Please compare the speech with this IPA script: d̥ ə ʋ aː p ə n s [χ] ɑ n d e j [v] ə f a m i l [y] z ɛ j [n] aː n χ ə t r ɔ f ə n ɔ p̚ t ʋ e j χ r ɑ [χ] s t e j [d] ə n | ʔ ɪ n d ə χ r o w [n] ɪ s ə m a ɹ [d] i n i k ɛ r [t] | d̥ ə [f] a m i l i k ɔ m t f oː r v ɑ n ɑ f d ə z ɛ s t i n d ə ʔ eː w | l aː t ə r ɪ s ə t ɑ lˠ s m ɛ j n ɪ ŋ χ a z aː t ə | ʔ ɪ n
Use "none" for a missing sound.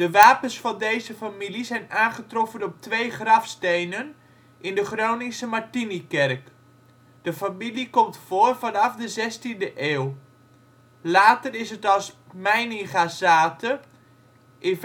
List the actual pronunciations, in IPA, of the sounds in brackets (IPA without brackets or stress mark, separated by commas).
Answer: f, z, i, n, f, n, n, t, k, f